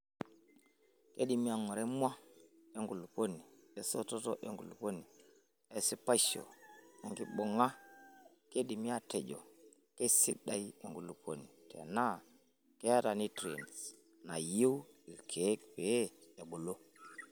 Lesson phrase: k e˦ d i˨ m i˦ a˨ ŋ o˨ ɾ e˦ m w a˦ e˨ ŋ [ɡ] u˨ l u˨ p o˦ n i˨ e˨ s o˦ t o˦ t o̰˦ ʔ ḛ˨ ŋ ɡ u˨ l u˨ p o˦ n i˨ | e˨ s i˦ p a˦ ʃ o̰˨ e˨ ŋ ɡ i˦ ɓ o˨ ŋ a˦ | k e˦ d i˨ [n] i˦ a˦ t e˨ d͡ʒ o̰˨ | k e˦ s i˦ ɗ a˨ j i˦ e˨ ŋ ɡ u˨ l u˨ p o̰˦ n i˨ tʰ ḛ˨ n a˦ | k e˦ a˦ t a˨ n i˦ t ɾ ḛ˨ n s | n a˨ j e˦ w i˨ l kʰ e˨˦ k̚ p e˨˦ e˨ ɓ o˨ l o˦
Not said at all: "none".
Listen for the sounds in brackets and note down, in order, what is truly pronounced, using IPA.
ɡ, m

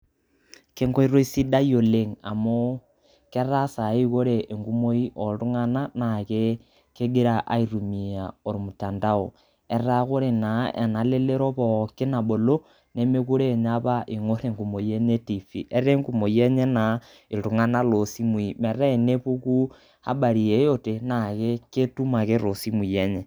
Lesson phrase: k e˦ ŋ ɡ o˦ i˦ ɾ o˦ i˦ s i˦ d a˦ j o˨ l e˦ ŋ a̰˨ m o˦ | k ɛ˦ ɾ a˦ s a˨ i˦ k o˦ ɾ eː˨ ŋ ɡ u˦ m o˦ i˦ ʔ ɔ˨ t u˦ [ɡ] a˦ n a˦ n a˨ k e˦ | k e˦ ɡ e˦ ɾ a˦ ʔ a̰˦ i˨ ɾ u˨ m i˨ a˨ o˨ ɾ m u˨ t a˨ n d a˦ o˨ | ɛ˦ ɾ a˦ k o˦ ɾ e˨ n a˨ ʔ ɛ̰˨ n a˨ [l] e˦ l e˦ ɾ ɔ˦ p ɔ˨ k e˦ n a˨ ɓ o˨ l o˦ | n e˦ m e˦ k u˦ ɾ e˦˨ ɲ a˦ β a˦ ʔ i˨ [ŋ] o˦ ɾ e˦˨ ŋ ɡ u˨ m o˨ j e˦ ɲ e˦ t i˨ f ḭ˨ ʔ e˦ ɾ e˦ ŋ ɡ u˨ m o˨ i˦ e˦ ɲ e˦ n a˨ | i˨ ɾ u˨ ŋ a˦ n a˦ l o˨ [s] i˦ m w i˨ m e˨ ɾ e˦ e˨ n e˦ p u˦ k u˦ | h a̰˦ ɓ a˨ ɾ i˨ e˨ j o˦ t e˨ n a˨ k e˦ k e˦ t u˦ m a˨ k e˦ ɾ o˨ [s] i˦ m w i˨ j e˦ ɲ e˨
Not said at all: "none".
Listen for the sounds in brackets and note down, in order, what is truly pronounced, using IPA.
ŋ, l, ŋ, s, s

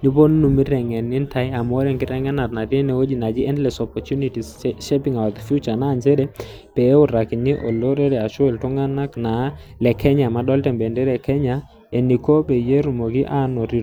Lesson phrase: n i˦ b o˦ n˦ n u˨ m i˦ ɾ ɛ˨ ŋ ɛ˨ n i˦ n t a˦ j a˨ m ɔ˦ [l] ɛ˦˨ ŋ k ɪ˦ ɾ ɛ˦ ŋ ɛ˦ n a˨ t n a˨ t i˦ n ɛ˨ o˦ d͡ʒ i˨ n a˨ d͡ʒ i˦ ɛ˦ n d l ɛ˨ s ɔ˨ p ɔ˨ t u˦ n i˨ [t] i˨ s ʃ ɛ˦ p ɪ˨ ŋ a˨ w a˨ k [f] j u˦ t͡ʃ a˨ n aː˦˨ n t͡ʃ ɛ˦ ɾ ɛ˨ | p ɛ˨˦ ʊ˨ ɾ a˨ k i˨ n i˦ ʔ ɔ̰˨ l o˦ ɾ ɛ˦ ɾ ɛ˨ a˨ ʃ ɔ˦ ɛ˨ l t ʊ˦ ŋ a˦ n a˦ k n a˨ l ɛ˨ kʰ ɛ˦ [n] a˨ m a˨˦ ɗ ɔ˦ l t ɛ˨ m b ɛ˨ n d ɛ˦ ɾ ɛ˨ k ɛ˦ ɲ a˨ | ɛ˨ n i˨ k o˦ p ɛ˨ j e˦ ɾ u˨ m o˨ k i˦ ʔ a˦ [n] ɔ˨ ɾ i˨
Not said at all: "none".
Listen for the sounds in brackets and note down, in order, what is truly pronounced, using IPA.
ɾ, t, f, ɲ, n

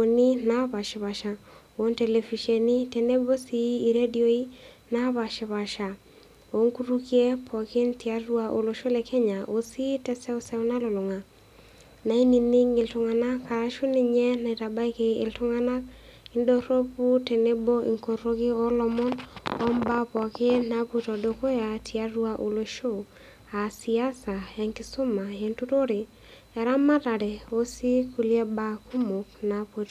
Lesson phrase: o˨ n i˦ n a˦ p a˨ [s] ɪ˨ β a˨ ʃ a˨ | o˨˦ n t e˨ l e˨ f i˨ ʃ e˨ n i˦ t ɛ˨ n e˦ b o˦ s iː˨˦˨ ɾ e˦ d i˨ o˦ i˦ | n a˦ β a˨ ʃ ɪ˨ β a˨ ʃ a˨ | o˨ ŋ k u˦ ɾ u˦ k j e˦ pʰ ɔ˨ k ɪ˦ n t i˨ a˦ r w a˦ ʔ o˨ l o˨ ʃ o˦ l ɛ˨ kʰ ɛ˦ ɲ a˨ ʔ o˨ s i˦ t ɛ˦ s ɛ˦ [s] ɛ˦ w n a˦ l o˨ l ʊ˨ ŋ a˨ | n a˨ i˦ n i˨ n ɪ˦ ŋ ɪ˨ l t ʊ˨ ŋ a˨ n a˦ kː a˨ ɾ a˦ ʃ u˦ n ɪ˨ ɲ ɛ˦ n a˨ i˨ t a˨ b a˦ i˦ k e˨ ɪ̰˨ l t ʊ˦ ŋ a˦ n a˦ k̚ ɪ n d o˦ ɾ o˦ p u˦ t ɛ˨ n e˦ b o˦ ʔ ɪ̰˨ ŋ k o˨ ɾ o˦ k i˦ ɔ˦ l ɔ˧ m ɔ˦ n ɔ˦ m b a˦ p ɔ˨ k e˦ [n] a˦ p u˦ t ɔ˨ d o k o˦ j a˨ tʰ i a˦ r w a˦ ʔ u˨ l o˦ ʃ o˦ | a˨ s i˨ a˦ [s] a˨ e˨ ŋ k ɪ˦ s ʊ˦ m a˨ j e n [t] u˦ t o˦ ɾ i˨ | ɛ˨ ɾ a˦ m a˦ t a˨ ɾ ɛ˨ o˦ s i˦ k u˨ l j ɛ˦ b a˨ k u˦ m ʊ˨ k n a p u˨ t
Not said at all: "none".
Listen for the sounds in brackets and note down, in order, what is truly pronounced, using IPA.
ʃ, s, n, s, t

